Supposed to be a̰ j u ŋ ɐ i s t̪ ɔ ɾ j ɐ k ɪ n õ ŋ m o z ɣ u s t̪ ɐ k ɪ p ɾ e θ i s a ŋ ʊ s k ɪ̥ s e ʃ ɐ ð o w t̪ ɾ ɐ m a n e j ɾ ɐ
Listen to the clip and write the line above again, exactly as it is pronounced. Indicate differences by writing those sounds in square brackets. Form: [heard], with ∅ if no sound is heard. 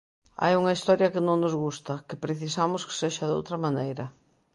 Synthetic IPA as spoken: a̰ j u ŋ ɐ i s t̪ ɔ ɾ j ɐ k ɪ n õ ŋ [n] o z ɣ u s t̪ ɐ k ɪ p ɾ e θ i s a [m] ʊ s k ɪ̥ s e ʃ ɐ ð o w t̪ ɾ ɐ m a n e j ɾ ɐ

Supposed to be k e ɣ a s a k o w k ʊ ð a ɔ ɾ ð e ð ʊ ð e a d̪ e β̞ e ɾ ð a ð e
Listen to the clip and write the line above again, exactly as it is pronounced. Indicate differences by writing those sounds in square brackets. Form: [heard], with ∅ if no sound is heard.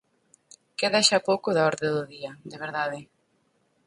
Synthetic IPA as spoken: k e [ð] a [ʃ] a [p] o w k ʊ ð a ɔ ɾ ð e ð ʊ ð [i] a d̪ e β̞ e ɾ ð a ð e

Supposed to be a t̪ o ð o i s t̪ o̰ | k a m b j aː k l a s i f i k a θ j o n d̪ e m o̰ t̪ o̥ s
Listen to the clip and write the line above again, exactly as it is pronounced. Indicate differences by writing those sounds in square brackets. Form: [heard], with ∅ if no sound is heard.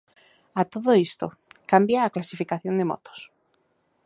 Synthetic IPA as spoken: a t̪ o ð o i s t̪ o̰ | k a m b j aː k l a s i f i k a θ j o n d̪ e m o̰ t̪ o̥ s

